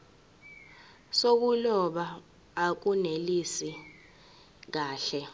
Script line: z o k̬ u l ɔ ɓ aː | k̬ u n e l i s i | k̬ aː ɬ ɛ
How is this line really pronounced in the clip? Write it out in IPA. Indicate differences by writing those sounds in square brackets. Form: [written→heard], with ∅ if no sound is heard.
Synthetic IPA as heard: [z→s] o k̬ u l ɔ ɓ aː | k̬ u n e l i s i | k̬ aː ɬ ɛ